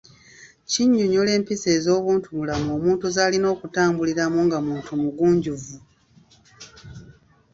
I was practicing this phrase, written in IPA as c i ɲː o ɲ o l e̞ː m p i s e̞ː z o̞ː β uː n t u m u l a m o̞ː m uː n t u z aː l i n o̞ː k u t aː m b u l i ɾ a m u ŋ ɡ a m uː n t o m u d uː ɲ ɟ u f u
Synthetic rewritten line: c i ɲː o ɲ o l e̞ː m p i s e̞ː z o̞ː β uː n t u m u l a m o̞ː m uː n t u z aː l i n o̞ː k u t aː m b u l i ɾ a m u ŋ ɡ a m uː n t u m u ɡ uː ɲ ɟ u v u